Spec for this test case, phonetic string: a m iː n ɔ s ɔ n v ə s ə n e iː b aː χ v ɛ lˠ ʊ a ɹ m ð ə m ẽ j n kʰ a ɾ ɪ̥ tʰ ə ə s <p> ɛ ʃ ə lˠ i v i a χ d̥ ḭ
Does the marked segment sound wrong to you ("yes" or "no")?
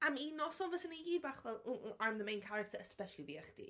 no